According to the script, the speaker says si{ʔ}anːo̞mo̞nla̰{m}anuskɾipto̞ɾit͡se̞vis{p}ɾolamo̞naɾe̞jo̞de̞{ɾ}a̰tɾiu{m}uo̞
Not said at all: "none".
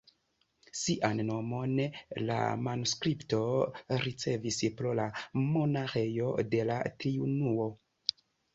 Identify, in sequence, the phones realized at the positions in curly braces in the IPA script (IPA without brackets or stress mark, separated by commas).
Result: ʔ, m, p, l, n